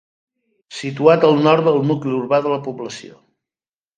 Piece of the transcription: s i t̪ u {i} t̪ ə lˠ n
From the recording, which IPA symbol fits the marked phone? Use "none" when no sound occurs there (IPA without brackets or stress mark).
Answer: a